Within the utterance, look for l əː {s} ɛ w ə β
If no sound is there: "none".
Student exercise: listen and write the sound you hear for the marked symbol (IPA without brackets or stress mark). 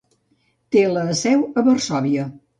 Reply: s